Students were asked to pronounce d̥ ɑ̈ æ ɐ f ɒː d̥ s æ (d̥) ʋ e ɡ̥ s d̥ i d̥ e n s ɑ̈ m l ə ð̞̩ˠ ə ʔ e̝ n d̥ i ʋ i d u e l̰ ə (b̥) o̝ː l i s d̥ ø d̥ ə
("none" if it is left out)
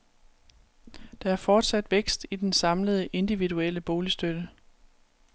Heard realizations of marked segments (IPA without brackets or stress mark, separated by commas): d̥, b̥